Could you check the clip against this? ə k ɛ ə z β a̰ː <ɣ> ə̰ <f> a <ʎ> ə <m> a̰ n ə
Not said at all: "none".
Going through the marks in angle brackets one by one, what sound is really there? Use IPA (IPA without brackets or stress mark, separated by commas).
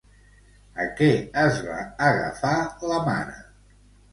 ɣ, f, l, m